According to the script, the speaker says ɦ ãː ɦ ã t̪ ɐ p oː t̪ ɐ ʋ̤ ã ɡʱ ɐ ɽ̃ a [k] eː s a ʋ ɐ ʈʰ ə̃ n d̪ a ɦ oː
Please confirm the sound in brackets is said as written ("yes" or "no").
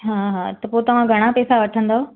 no